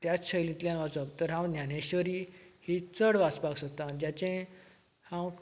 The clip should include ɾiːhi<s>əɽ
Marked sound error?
yes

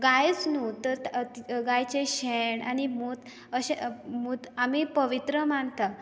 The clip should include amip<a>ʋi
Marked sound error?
yes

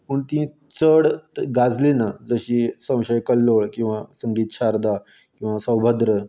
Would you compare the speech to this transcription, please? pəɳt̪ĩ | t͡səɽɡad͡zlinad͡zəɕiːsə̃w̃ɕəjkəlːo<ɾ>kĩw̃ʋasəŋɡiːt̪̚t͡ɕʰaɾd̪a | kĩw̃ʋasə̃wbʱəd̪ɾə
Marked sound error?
yes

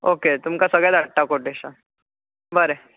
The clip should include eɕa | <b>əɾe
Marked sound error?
no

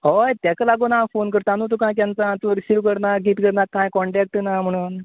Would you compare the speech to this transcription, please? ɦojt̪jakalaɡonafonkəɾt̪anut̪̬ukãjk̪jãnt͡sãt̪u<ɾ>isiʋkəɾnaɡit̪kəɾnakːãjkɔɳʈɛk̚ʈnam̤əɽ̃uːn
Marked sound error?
no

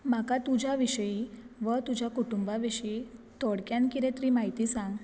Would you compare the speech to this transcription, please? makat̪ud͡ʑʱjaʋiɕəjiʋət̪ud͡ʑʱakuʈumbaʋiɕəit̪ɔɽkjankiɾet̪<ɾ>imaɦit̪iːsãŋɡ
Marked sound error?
no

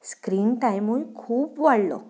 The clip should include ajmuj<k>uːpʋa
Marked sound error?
yes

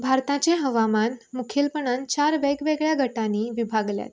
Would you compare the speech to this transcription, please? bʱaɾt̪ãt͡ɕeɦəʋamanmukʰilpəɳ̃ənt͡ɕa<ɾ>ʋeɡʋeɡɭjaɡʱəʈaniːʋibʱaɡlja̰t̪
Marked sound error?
no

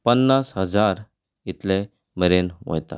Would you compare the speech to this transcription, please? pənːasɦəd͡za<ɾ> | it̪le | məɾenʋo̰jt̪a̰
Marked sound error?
no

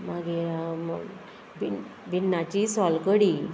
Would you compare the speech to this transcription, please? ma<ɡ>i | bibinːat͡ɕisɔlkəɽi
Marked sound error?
no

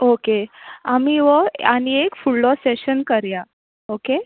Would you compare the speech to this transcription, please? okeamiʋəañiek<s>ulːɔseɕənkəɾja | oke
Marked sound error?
yes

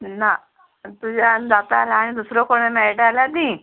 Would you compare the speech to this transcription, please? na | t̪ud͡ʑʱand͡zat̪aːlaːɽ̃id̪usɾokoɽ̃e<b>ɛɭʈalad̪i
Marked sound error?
yes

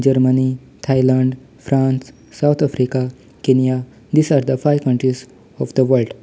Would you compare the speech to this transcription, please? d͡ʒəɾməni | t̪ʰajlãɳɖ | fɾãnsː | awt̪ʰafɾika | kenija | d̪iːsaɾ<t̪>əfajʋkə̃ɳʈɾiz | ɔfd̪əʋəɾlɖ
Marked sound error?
yes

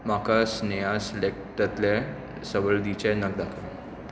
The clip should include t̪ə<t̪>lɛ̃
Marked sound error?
no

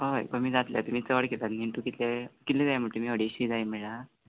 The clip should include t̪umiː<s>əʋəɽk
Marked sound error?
yes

